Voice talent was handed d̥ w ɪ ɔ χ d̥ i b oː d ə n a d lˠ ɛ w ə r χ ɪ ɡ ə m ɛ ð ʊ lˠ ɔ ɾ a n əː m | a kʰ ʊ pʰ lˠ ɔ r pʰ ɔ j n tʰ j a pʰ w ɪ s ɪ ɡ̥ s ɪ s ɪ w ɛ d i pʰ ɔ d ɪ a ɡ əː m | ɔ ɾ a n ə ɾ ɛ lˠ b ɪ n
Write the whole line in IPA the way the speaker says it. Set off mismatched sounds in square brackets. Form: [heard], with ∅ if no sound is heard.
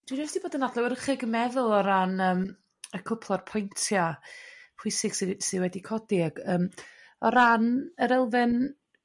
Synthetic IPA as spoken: d̥ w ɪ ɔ [s] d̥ i b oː d ə n a d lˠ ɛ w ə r χ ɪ ɡ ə m ɛ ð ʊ lˠ ɔ ɾ a n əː m | [ə] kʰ ʊ pʰ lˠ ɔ r pʰ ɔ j n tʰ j a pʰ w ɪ s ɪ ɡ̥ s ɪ s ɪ w ɛ d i [kʰ] ɔ d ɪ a ɡ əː m | ɔ ɾ a n ə ɾ ɛ lˠ [v] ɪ n